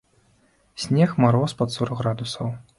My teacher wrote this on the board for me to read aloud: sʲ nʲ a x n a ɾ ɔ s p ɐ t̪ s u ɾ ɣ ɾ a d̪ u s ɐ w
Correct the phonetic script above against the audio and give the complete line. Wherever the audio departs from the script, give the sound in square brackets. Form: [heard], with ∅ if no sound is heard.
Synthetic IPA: sʲ nʲ [ɛ] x [m] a ɾ ɔ s p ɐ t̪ s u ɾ ɣ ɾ a d̪ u s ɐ w